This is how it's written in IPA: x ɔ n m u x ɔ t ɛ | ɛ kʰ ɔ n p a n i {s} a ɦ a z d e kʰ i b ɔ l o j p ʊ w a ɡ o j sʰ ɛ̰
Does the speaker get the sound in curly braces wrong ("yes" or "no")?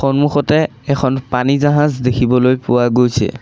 yes